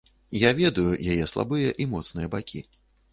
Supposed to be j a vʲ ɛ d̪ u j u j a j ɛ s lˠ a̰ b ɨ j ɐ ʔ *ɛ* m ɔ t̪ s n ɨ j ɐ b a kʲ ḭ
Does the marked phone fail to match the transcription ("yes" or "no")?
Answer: yes